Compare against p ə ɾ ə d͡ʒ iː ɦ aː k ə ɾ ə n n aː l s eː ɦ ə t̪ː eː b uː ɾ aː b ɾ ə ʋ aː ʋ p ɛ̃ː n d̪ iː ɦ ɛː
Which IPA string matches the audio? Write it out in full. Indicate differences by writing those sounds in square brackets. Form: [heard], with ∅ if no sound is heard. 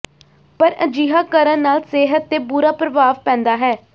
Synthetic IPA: p ə ɾ ə d͡ʒ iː ɦ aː k ə ɾ ə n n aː l s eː ɦ ə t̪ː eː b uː ɾ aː [p] ɾ ə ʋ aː ʋ p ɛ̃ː n d̪ [aː] ɦ ɛː